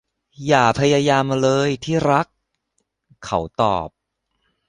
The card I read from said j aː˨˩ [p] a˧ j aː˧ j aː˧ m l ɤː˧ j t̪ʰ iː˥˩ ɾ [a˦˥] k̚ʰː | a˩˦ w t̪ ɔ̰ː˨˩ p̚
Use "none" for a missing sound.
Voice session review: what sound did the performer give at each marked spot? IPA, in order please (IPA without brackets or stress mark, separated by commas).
pʰ, a˦˥